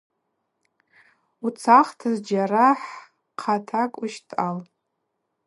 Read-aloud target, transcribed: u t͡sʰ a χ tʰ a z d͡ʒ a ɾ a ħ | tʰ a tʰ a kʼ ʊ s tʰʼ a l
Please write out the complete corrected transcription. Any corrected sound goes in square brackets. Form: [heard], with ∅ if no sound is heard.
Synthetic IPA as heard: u t͡sʰ a χ tʰ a z d͡ʒ a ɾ a ħ | [qʰ] a tʰ a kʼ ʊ [ʃ] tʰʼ a l